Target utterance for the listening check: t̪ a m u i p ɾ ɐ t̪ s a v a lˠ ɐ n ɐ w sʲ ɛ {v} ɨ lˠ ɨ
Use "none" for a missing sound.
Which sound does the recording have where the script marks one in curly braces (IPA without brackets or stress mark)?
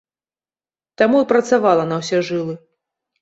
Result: ʐ